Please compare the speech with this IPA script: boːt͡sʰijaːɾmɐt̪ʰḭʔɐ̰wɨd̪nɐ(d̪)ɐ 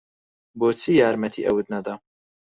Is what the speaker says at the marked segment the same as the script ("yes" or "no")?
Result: yes